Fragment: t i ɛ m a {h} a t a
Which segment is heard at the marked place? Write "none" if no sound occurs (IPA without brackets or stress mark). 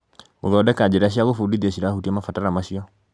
f